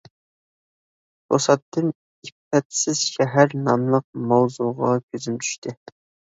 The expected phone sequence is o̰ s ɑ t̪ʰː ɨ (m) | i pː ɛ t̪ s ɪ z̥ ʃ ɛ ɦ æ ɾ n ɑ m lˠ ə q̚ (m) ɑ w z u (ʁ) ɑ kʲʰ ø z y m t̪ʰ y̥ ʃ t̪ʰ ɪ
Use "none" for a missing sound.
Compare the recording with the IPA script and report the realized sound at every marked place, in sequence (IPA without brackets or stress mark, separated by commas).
n, m, ʁ